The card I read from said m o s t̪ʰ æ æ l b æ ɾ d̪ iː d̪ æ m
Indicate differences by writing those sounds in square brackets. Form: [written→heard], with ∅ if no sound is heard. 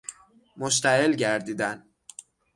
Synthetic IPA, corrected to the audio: m o [s→ʃ] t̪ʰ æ [æ→e] l [b→ɟ] æ ɾ d̪ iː d̪ æ [m→n]